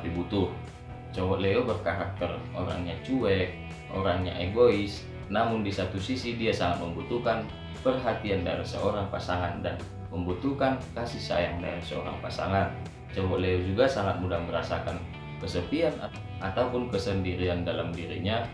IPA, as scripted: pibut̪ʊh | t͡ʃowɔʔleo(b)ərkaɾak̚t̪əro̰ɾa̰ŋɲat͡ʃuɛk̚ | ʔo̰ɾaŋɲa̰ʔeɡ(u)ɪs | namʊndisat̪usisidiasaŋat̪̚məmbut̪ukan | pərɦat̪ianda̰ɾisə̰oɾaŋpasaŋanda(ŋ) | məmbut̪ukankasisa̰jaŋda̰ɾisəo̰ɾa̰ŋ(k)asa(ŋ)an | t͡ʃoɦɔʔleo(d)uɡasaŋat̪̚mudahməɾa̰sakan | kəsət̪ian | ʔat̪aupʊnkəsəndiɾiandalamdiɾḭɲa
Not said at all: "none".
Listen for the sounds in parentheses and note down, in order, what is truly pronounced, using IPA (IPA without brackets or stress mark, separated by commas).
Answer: b, o, n, p, ŋ, d͡ʒ